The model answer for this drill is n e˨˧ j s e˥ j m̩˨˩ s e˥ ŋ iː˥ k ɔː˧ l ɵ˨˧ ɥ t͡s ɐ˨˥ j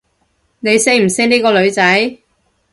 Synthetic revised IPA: n e˨˧ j s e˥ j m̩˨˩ s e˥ n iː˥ k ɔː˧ l ɵ˨˧ ɥ t͡s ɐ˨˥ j